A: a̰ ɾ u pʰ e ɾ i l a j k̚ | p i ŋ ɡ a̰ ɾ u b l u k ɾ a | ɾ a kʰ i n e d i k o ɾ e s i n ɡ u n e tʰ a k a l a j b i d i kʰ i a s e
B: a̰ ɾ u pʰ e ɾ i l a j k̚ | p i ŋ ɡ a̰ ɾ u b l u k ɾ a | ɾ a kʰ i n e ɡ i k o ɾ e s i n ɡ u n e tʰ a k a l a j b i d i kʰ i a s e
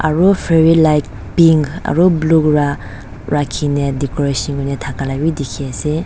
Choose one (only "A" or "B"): A